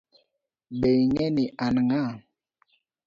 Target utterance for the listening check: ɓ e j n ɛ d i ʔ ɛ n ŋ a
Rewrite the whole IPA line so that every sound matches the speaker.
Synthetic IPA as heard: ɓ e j ŋ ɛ n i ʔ a n ŋ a